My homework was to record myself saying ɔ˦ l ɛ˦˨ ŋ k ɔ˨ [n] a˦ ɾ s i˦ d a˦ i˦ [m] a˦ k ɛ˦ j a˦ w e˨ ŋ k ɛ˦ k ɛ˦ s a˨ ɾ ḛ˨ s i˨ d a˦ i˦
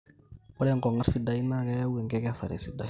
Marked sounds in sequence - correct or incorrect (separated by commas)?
incorrect, incorrect